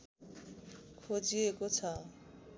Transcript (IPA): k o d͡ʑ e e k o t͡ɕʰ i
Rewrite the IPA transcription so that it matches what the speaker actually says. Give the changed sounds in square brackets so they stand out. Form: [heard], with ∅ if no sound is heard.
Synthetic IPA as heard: [kʰ] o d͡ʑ [i] e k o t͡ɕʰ [a]